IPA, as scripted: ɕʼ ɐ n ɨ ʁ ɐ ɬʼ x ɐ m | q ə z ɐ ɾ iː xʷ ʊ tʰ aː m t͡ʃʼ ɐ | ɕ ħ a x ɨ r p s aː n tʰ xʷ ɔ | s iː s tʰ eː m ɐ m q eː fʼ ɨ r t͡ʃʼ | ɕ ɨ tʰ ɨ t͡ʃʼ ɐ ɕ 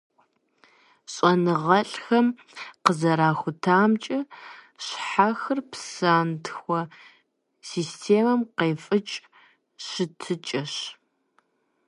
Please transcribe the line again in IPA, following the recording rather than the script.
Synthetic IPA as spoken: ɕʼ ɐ n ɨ ʁ ɐ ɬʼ x ɐ m | q ə z ɐ ɾ aː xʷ ʊ tʰ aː m t͡ʃʼ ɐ | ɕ ħ a x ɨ r p s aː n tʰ xʷ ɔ | s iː s tʰ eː m ɐ m q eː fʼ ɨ t͡ʃʼ | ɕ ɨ tʰ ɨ t͡ʃʼ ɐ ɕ